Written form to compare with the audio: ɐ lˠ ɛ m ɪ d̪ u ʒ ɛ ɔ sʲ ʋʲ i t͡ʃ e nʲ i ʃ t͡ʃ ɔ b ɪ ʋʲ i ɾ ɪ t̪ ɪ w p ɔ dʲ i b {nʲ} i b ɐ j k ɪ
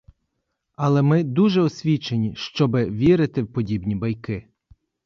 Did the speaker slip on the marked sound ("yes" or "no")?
no